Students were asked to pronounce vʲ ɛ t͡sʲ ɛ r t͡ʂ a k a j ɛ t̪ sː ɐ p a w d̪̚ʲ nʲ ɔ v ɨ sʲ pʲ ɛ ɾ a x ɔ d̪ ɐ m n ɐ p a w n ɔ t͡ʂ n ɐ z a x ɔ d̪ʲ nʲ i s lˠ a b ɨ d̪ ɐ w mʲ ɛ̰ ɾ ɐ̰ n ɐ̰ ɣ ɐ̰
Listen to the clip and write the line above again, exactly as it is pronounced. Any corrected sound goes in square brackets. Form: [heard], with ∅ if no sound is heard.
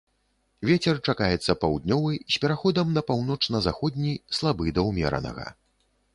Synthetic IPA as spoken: vʲ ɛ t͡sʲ ɛ r t͡ʂ a k a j ɛ t̪ sː ɐ p a w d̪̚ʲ nʲ ɔ v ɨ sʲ pʲ ɛ ɾ a x ɔ d̪ ɐ m n ɐ p a w n ɔ t͡ʂ n ɐ z a x ɔ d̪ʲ nʲ i s lˠ a b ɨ d̪ ɐ w mʲ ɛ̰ ɾ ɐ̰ n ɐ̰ ɣ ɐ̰